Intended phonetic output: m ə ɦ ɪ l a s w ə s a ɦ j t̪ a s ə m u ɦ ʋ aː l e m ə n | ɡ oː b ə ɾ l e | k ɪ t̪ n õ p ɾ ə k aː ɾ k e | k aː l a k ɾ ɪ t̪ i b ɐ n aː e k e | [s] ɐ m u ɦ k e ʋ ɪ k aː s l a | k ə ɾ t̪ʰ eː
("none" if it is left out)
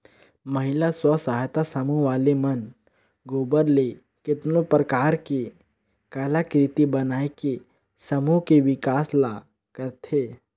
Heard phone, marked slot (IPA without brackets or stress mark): s